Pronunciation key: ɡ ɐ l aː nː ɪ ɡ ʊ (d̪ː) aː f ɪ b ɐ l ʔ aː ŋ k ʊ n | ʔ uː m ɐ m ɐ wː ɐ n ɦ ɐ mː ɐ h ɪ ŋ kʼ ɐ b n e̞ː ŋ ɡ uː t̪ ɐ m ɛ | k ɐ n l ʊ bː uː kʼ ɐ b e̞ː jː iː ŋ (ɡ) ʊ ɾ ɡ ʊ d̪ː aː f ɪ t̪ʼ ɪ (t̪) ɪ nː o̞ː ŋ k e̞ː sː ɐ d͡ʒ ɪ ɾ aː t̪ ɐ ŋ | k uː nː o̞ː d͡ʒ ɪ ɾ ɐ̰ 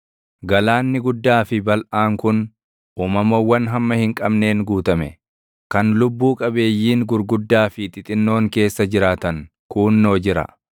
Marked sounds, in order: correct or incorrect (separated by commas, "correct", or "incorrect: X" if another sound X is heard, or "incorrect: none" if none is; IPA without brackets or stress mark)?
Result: correct, correct, incorrect: t̪ʼ